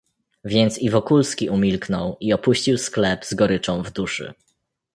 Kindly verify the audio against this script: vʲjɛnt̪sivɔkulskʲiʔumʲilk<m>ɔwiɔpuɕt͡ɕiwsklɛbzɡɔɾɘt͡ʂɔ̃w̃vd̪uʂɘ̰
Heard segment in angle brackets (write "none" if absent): n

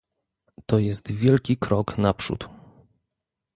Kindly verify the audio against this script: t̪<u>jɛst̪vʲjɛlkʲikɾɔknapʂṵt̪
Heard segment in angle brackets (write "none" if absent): ɔ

